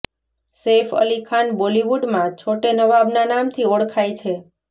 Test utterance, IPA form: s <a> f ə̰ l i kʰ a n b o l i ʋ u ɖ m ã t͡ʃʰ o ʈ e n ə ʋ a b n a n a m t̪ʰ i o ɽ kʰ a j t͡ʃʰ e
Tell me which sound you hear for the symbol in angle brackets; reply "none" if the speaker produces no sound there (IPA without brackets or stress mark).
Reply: e